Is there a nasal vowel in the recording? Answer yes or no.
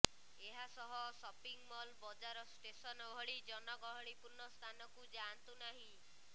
yes